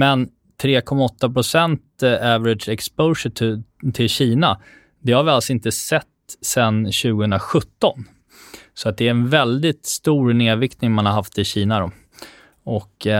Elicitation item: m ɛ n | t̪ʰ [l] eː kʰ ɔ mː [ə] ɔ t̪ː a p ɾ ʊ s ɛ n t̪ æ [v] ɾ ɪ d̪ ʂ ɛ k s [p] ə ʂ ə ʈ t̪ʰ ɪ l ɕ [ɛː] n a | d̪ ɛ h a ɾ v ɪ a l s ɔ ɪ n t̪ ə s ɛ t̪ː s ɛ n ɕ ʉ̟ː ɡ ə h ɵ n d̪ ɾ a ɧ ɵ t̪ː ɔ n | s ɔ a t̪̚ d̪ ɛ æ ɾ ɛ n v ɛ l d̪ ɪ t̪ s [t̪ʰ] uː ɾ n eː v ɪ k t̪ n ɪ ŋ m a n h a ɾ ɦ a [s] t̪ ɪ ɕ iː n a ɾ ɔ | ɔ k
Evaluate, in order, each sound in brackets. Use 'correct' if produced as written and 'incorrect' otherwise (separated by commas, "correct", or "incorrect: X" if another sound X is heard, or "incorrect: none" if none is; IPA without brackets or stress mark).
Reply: incorrect: ɾ, incorrect: a, correct, correct, incorrect: iː, incorrect: t̪, incorrect: f